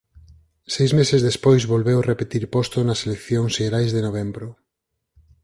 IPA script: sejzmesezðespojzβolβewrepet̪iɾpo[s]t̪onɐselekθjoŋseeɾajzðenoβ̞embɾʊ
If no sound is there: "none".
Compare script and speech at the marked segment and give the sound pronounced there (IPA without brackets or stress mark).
s